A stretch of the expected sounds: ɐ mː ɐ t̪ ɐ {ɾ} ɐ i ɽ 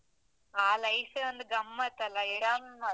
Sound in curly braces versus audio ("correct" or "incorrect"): incorrect